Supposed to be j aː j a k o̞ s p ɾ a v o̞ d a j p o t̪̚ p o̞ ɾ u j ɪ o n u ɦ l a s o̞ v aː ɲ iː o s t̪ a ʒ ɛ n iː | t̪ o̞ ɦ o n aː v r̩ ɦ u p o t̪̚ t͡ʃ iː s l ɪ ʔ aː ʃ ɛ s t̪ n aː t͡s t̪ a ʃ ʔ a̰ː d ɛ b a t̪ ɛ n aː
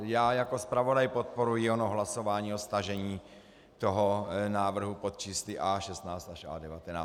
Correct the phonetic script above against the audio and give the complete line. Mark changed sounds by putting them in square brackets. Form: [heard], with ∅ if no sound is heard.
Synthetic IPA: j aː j a k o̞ s p ɾ a v o̞ d a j p o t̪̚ p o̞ ɾ u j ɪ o n [o] ɦ l a s o̞ v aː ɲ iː o s t̪ a ʒ ɛ [ɲ] iː | t̪ o̞ ɦ o n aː v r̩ ɦ u p o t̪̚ t͡ʃ iː s l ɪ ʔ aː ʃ ɛ s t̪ n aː t͡s t̪ a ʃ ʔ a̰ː d ɛ [v] a t̪ ɛ n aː